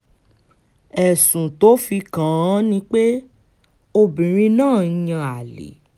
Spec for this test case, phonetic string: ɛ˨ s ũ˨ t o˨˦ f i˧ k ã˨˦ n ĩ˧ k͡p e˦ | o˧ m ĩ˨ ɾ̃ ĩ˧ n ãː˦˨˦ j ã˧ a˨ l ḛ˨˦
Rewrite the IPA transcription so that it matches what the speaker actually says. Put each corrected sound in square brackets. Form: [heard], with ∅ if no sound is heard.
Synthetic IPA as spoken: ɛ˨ s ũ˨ t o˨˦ f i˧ k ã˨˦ n ĩ˧ k͡p e˦ | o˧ [b] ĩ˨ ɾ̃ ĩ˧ n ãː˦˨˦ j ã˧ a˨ l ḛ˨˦